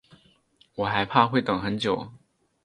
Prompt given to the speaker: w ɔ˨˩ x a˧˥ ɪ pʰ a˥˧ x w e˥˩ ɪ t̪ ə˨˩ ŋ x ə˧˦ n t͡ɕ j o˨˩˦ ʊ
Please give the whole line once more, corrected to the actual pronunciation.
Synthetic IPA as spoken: w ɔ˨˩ x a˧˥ ɪ pʰ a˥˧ x w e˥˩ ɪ t̪ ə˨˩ ŋ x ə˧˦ n t͡ɕ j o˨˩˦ ʊ

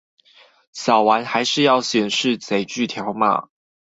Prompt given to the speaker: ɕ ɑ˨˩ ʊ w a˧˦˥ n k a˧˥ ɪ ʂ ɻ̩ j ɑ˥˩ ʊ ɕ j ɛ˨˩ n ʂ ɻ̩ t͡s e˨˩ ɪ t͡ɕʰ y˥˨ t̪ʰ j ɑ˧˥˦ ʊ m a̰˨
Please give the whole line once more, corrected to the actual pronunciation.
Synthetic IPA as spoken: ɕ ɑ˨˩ ʊ w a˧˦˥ n x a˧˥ ɪ ʂ ɻ̩ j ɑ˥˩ ʊ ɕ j ɛ˨˩ n ʂ ɻ̩ t͡s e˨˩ ɪ t͡ɕ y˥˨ t̪ʰ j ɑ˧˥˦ ʊ m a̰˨

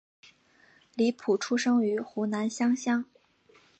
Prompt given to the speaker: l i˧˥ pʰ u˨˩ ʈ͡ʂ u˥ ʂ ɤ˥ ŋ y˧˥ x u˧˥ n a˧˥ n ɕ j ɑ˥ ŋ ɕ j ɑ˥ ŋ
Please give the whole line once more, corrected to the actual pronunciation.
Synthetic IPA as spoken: l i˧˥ pʰ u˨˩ ʈ͡ʂʰ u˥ ʂ ɤ˥ ŋ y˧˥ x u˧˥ n a˧˥ n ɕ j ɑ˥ ŋ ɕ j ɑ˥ ŋ

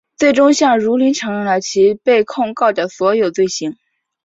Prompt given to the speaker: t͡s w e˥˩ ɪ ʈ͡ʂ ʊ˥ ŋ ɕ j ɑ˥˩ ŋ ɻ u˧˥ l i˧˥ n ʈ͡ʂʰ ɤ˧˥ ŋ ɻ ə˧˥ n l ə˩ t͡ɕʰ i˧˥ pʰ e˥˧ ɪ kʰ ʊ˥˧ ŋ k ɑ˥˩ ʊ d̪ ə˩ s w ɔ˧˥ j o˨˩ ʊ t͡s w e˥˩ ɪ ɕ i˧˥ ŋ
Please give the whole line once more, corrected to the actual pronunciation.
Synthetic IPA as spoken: t͡s w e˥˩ ɪ ʈ͡ʂ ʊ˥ ŋ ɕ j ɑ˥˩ ŋ ɻ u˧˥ l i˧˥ n ʈ͡ʂʰ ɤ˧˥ ŋ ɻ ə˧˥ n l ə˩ t͡ɕʰ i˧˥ p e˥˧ ɪ kʰ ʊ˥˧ ŋ k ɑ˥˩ ʊ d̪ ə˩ s w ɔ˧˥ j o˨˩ ʊ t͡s w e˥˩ ɪ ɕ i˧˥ ŋ

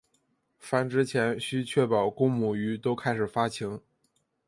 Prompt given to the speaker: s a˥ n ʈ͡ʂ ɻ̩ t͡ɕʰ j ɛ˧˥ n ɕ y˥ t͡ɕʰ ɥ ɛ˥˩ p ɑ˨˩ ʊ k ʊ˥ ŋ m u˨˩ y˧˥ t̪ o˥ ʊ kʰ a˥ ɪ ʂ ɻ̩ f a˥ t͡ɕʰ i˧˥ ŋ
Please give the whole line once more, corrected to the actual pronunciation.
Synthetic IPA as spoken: f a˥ n ʈ͡ʂ ɻ̩ t͡ɕʰ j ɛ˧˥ n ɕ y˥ t͡ɕʰ ɥ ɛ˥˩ p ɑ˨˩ ʊ k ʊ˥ ŋ m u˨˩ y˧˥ t̪ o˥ ʊ kʰ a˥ ɪ ʂ ɻ̩ f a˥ t͡ɕʰ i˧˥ ŋ

